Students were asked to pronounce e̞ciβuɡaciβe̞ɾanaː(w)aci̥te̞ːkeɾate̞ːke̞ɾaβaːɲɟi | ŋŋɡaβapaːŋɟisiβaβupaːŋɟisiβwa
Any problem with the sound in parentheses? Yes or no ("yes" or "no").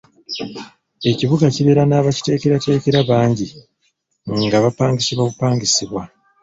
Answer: yes